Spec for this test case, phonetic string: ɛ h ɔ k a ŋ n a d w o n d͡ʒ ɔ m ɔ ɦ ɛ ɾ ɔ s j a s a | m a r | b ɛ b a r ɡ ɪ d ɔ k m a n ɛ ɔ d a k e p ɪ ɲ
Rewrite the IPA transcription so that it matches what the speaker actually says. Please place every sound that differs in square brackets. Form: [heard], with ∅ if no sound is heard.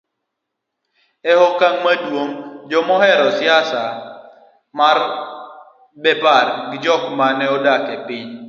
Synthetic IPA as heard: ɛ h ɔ k a ŋ [m] a d w o [ŋ] d͡ʒ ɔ m ɔ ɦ ɛ ɾ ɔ s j a s a | m a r | b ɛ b a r ɡ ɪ [d͡ʒ] ɔ k m a n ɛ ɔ d a k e p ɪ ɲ